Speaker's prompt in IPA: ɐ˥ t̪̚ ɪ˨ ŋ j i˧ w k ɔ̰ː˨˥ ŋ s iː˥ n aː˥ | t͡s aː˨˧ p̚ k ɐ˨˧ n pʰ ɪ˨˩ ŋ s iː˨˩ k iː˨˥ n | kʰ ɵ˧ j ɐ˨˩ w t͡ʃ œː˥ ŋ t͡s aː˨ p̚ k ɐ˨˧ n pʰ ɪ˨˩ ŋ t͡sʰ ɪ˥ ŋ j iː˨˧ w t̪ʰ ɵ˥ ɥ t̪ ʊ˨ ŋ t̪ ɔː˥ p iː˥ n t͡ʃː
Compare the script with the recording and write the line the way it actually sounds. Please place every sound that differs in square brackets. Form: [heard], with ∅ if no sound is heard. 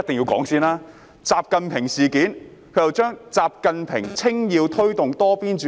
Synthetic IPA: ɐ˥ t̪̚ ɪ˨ ŋ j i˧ w k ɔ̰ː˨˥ ŋ s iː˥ n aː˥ | t͡s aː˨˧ p̚ k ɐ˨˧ n pʰ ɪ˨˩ ŋ s iː˨˩ k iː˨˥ n | kʰ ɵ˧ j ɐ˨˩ w t͡ʃ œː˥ ŋ t͡s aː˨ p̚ k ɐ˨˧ n pʰ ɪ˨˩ ŋ t͡sʰ ɪ˥ ŋ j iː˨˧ w t̪ʰ ɵ˥ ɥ t̪ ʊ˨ ŋ t̪ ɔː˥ p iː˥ n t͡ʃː